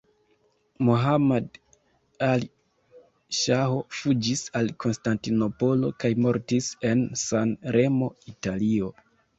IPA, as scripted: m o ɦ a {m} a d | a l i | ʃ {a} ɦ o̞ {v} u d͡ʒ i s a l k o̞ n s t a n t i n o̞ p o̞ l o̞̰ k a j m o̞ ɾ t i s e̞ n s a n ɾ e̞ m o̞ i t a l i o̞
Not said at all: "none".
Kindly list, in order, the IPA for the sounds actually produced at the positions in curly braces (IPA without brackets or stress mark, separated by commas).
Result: m, a, f